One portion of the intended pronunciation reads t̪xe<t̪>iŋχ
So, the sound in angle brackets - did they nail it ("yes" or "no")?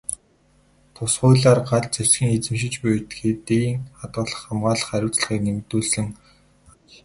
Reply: yes